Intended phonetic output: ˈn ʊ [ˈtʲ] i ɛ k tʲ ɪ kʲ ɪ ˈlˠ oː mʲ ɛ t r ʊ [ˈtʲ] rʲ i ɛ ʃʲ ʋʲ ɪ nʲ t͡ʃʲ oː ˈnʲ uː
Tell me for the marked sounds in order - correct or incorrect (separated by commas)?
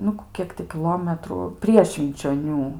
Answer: incorrect, incorrect